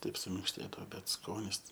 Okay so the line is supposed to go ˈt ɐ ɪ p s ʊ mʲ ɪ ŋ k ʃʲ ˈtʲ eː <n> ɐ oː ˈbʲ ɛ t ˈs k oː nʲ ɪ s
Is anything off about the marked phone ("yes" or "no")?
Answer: yes